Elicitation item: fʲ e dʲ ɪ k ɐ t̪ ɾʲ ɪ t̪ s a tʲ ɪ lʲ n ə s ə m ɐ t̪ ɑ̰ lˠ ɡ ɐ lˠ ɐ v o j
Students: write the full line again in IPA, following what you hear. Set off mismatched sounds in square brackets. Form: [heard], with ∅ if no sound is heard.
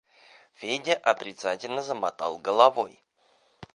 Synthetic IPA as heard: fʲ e dʲ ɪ [ʔ] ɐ t̪ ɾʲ ɪ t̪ s a tʲ ɪ lʲ n ə [z] ə m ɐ t̪ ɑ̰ lˠ ɡ [ə] lˠ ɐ v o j